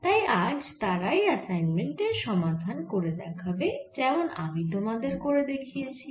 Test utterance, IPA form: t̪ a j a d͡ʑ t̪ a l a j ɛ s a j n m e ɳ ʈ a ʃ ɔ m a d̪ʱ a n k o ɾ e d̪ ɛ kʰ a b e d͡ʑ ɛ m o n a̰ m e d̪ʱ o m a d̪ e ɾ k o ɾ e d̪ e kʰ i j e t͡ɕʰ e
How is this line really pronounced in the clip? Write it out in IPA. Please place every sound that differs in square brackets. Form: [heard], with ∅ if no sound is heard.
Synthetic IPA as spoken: t̪ a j a d͡ʑ t̪ a [ɾ] a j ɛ s a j n m e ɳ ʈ [e] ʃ ɔ m a d̪ʱ a n k o ɾ e d̪ ɛ kʰ a b e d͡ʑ ɛ m o n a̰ m [i] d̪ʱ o m a d̪ e ɾ k o ɾ e d̪ e kʰ i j e t͡ɕʰ [i]